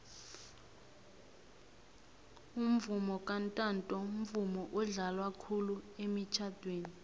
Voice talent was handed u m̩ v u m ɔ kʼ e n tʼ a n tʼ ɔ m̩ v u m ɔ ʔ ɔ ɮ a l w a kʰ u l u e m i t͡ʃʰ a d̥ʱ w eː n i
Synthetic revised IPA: u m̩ v u m ɔ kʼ a n tʼ a n tʼ ɔ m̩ v u m ɔ ʔ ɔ ɮ a l w a kʰ u l u e m i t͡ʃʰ a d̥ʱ w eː n i